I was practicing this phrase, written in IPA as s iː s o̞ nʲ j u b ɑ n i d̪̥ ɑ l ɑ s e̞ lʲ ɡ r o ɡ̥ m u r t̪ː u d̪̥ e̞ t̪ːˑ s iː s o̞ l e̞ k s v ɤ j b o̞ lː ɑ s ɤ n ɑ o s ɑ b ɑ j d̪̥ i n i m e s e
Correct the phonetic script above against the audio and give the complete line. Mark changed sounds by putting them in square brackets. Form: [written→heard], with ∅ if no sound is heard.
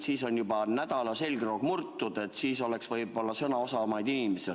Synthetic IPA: s iː s o̞ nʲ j u b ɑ n [i→æ] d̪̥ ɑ l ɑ s e̞ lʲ ɡ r o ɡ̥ m u r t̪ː u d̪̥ e̞ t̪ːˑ s iː s o̞ l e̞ k s v ɤ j b o̞ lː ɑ s ɤ n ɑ o s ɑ [b→m] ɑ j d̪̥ i n i m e s e